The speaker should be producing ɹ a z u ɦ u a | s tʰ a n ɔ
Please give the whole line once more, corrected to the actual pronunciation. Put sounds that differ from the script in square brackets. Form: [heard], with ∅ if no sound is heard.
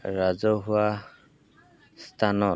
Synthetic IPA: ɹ a z [ɔ] ɦ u a | s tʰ a n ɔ